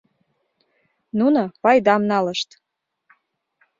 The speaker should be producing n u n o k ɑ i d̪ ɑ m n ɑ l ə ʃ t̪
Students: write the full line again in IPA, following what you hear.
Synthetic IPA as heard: n u n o p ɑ j d̪ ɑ m n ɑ l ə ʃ t̪